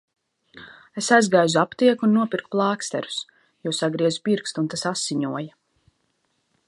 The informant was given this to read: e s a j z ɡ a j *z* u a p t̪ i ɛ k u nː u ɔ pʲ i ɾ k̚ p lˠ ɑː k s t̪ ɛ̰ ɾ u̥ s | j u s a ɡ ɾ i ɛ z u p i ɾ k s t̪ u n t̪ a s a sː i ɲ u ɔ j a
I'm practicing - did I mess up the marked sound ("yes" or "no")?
no